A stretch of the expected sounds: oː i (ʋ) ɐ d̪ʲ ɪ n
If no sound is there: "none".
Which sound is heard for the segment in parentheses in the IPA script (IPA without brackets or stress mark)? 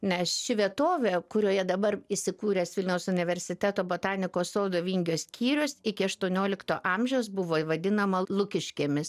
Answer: ʋ